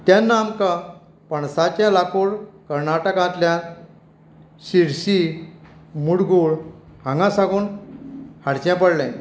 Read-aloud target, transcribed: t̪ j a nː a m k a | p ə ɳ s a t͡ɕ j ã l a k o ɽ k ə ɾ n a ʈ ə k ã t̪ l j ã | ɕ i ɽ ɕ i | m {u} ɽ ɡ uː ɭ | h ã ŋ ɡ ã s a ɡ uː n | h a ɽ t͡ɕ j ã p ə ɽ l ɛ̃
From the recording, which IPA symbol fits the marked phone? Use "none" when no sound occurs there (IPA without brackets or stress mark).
u